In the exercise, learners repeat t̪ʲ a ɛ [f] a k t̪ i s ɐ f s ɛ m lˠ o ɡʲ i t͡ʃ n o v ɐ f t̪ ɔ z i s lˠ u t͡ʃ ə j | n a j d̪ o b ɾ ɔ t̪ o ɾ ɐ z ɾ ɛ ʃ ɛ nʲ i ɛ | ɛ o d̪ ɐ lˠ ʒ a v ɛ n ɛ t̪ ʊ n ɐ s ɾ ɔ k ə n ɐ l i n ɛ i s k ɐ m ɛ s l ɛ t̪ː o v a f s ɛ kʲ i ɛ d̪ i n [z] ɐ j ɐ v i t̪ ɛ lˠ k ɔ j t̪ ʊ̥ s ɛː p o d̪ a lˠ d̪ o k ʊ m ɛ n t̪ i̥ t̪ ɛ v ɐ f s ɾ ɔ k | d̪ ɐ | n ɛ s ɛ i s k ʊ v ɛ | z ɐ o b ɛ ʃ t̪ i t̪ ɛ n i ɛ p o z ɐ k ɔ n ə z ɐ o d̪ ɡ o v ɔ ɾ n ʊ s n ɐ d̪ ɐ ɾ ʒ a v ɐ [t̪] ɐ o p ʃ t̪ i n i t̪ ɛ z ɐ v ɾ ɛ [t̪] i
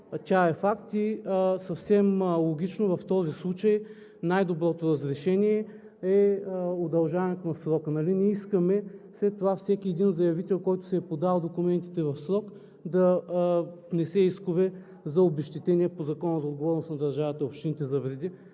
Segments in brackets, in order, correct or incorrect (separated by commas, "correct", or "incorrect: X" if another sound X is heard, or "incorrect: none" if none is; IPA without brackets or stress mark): correct, correct, correct, incorrect: d̪